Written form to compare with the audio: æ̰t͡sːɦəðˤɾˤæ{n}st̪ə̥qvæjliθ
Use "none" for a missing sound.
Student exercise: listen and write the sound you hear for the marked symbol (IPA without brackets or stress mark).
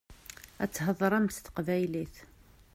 m